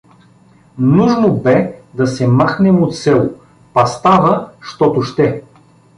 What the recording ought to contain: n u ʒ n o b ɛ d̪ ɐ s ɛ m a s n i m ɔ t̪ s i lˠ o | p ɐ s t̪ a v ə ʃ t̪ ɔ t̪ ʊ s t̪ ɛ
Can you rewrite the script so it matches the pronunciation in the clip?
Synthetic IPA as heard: n u ʒ n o b ɛ d̪ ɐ s ɛ m a x n ɛ m o t̪ s ɛ lˠ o | p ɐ s t̪ a v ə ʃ t̪ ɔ t̪ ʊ ʃ t̪ ɛ